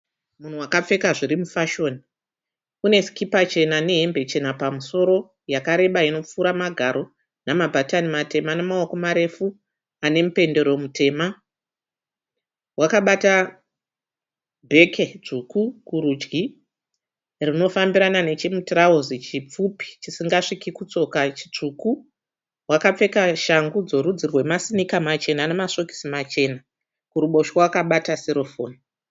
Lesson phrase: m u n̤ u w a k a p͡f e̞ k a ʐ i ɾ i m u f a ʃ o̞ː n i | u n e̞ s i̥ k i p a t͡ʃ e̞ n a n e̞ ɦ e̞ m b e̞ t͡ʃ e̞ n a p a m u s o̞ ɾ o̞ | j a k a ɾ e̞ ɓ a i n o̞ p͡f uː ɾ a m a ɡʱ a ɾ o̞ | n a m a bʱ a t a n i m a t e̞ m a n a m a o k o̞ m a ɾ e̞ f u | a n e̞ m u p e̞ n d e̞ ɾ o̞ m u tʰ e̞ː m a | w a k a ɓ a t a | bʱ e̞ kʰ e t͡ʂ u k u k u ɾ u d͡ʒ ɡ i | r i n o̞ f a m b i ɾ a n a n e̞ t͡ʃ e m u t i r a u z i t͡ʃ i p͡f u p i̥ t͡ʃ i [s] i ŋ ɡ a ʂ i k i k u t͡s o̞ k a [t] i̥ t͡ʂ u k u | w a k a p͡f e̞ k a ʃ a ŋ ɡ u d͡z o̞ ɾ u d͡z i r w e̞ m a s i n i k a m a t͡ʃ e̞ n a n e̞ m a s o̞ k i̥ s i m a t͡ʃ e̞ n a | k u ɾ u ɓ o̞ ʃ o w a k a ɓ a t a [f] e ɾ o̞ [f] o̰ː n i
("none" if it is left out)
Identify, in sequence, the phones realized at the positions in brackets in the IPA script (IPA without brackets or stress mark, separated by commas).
s, t͡ʃ, s, f